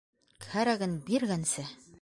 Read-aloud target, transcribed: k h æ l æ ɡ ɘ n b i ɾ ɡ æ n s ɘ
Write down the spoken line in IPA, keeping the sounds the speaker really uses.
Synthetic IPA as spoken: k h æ ɾ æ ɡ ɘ n b i ɾ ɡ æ n s ɘ